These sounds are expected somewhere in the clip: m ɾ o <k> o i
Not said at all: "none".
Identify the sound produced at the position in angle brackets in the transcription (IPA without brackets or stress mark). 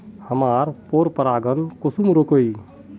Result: k